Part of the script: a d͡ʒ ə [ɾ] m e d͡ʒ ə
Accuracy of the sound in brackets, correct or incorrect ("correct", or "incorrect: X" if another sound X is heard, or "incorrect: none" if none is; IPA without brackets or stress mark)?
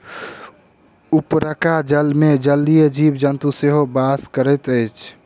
incorrect: l